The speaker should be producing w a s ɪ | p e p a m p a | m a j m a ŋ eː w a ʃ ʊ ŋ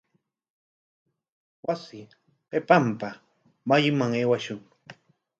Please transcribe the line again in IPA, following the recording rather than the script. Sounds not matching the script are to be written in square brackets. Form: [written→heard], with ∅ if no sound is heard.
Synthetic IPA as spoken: w a s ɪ | p e p a m p a | m a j m a ŋ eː w a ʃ ʊ ŋ